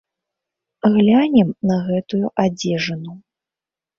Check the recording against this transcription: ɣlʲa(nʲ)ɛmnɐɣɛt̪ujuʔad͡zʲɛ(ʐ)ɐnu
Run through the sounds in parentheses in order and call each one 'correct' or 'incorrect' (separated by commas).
correct, correct